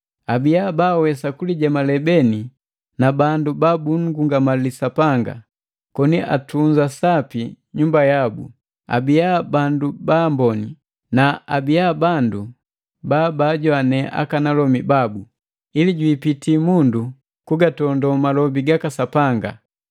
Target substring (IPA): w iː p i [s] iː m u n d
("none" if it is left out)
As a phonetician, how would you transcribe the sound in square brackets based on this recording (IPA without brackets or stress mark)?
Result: t